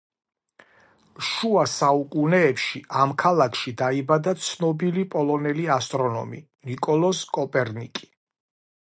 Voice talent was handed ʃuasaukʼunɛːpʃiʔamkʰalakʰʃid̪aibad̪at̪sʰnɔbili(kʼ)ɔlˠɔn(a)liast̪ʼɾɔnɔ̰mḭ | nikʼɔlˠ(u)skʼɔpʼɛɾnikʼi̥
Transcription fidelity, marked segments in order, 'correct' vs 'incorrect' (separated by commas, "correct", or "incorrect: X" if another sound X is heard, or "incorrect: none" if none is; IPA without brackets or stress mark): incorrect: pʼ, incorrect: ɛ, incorrect: ɔ